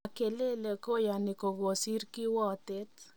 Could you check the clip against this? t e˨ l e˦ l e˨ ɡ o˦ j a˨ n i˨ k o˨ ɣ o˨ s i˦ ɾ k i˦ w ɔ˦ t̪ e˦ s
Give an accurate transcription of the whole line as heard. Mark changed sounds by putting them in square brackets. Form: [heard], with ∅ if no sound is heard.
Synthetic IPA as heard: [k] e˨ l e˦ l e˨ [k] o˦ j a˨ n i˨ k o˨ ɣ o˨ s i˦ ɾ k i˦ w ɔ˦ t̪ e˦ [t]